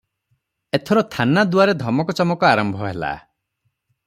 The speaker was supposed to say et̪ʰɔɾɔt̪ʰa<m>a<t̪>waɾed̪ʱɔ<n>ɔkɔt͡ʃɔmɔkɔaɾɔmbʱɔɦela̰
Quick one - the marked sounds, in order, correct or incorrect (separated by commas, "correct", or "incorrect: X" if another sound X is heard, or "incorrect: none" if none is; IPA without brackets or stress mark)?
incorrect: n, incorrect: d̪, incorrect: m